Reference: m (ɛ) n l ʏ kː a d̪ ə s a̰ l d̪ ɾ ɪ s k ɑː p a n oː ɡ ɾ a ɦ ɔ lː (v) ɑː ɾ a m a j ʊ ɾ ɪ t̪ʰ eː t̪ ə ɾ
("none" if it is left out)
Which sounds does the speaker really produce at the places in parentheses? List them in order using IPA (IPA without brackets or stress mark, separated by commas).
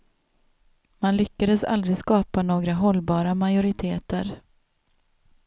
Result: a, b